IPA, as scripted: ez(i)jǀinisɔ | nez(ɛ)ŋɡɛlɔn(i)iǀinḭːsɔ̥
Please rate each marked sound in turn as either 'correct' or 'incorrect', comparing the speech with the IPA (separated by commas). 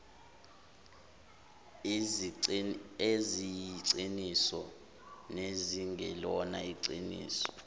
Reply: correct, incorrect, incorrect